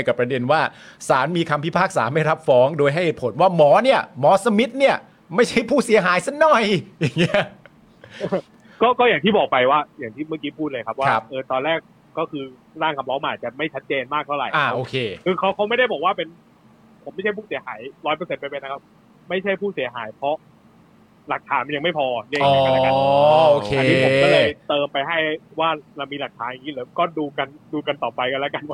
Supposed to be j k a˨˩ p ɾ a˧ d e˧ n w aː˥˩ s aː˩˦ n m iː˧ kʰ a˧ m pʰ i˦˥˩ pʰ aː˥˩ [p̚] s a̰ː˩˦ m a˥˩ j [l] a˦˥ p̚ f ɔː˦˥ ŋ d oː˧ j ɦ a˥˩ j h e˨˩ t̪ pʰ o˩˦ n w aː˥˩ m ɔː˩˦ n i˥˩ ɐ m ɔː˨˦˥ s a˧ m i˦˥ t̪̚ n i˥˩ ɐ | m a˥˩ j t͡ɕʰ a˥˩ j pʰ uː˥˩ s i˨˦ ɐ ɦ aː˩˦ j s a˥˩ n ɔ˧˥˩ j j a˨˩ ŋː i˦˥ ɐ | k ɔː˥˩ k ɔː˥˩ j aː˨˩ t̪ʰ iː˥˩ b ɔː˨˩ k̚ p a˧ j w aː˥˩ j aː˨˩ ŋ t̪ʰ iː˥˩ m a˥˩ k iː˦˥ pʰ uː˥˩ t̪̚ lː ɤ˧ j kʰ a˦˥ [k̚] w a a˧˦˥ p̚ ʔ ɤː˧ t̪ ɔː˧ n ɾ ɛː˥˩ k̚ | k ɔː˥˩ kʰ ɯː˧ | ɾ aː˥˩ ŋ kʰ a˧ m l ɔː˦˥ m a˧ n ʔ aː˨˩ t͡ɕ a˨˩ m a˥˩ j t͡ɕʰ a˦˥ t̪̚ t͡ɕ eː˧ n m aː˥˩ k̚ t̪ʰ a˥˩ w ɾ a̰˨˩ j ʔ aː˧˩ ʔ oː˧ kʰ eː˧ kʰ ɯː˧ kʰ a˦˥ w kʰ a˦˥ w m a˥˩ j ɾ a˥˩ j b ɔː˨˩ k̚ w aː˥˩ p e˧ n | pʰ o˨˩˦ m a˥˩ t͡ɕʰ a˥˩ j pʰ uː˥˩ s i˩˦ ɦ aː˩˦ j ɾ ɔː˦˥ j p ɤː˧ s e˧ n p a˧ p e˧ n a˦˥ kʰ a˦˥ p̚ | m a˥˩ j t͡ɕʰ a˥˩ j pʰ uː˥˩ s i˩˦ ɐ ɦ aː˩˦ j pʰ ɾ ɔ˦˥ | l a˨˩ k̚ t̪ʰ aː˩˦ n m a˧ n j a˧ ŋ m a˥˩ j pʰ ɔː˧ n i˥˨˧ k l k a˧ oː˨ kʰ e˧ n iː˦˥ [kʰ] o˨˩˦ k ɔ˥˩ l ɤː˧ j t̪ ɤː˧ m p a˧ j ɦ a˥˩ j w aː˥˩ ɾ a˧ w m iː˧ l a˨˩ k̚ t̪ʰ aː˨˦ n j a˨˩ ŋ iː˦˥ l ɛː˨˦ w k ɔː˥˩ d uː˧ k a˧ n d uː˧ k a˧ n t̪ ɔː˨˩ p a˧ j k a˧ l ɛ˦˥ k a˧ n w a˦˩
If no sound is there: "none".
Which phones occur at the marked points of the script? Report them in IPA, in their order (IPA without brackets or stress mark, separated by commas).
k̚, ɾ, p̚, pʰ